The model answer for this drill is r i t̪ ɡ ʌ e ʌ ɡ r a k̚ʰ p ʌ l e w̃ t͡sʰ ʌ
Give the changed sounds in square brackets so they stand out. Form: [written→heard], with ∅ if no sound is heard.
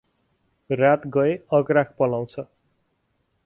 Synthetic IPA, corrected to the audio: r [i→a] t̪ ɡ ʌ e ʌ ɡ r a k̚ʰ p ʌ l [e→a] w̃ t͡sʰ ʌ